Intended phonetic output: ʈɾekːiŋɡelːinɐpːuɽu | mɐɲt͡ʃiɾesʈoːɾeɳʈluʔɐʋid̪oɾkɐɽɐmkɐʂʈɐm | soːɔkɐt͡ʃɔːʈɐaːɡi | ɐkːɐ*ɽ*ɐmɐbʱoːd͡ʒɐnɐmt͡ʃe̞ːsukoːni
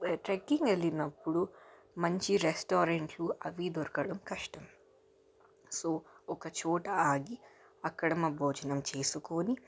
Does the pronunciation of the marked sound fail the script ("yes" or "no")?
no